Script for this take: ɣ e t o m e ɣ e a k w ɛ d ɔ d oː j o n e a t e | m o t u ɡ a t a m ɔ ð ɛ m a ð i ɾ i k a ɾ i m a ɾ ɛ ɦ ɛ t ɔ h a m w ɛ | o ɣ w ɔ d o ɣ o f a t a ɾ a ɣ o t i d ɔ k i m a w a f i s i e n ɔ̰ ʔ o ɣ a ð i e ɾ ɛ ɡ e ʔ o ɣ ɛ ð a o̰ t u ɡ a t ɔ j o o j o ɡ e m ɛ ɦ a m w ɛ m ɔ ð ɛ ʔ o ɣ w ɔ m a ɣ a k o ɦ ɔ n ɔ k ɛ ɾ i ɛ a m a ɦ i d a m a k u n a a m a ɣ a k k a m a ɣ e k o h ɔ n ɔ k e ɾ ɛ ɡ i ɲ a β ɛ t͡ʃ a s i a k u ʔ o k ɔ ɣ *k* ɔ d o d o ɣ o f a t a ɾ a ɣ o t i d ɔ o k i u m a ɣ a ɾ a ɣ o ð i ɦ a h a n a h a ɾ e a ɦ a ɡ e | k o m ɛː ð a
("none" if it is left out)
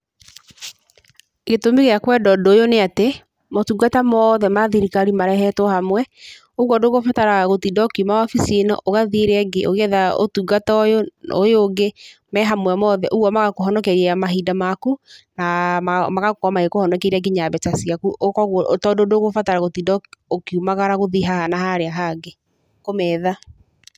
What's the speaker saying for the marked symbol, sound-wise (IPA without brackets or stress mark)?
t